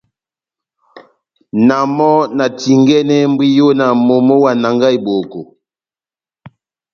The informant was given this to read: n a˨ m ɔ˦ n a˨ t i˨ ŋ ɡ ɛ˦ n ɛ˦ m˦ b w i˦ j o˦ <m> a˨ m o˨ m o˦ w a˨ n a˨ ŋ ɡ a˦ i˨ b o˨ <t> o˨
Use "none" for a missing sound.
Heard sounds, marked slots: n, k

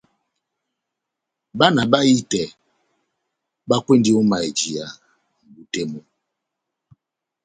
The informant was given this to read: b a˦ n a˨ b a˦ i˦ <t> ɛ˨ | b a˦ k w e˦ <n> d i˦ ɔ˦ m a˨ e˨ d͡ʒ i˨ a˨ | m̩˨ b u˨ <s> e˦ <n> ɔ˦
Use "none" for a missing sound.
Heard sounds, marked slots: t, n, t, m

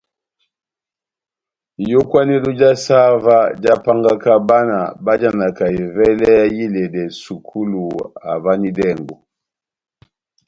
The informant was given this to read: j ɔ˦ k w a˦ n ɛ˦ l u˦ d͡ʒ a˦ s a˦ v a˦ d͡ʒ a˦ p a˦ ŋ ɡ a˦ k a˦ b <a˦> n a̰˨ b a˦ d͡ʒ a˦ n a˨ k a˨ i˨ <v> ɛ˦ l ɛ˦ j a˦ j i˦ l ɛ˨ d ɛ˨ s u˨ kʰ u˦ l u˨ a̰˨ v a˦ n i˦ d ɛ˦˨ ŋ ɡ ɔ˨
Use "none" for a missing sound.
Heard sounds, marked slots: a˦, v

